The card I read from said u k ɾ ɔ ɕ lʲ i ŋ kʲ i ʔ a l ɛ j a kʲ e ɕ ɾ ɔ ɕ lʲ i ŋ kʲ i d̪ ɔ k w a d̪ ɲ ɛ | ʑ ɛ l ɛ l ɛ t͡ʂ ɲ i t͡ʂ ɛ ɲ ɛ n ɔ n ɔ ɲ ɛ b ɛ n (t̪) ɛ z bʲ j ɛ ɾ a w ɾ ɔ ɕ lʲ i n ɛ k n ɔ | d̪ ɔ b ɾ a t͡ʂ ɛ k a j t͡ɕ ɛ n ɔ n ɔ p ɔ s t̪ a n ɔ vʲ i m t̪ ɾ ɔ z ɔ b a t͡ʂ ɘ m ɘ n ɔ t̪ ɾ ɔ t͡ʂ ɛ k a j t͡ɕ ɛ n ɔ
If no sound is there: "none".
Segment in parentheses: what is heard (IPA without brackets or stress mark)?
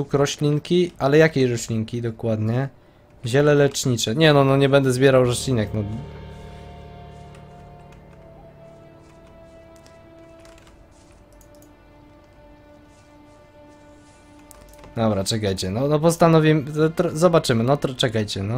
d̪